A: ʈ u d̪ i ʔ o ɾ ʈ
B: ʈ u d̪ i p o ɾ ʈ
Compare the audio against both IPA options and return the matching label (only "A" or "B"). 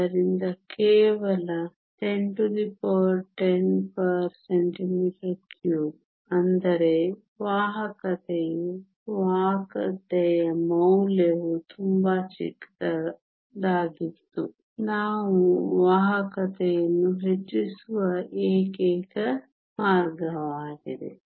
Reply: B